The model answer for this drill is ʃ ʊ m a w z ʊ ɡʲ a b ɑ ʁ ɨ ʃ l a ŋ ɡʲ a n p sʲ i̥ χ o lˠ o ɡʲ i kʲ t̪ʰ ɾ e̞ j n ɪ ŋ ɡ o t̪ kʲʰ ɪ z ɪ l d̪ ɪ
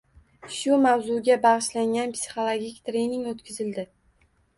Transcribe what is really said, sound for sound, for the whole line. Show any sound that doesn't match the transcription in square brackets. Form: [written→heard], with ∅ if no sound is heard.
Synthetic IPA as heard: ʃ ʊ m a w z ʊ ɡʲ a b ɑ ʁ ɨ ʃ l a ŋ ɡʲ a n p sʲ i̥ χ o lˠ o ɡʲ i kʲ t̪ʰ ɾ e̞ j n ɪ ŋ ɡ o t̪ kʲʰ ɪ z ɪ l d̪ ɪ